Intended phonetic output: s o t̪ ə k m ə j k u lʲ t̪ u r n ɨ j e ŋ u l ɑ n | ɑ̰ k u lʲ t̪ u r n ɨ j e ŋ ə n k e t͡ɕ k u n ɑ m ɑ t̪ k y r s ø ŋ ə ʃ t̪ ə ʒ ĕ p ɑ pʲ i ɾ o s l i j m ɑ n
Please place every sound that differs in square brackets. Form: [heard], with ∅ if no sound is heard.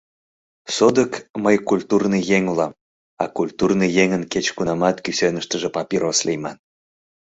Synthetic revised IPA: s o [d̪] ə k m ə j k u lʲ t̪ u r n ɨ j e ŋ u l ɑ [m] | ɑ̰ k u lʲ t̪ u r n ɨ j e ŋ ə n k e t͡ɕ k u n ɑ m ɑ t̪ k y [∅] s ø [n] ə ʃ t̪ ə ʒ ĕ p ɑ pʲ i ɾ o s l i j m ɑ n